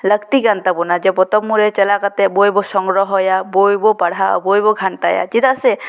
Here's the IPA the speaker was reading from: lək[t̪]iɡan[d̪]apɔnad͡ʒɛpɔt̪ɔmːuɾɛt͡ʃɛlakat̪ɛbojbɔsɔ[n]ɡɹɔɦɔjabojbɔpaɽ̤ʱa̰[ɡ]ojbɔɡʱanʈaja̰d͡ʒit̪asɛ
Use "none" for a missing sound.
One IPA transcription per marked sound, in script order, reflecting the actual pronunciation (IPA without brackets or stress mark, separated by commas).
t̪, t̪, ŋ, b